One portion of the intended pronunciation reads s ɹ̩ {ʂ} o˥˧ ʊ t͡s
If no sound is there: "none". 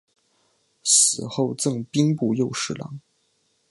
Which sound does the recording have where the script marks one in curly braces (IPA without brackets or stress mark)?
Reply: x